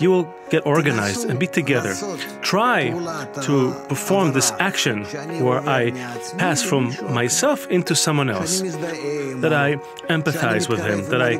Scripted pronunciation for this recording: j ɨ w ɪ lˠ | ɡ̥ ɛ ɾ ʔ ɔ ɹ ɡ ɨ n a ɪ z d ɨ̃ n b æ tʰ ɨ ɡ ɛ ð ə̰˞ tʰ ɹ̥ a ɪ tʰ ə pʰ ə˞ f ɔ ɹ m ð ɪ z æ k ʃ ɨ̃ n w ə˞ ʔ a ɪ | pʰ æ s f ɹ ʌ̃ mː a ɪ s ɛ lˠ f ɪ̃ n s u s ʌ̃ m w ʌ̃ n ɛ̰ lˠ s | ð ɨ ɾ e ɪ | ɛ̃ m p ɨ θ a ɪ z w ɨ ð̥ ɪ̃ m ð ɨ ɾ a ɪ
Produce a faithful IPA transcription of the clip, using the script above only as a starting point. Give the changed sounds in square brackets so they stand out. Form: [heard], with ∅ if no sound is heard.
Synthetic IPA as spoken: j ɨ w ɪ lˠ | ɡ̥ ɛ ɾ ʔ ɔ ɹ ɡ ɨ n a ɪ z d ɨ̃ n b [i] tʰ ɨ ɡ ɛ ð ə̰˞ tʰ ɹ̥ a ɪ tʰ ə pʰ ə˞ f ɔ ɹ m ð ɪ [s] æ k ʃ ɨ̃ n w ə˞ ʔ a ɪ | pʰ æ s f ɹ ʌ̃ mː a ɪ s ɛ lˠ f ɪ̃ n [t] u s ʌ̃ m w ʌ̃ n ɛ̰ lˠ s | ð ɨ ɾ [a] ɪ | ɛ̃ m p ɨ θ a ɪ z w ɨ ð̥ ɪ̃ m ð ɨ ɾ a ɪ